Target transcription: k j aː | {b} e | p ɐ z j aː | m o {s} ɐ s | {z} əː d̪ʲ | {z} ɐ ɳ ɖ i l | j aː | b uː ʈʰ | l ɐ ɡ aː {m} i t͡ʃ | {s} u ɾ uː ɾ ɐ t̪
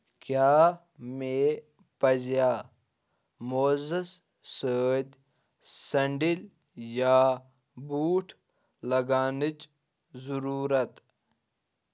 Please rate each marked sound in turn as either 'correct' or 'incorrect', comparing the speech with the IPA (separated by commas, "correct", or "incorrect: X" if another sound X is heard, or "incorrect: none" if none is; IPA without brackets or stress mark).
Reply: incorrect: m, incorrect: z, incorrect: s, incorrect: s, incorrect: n, incorrect: z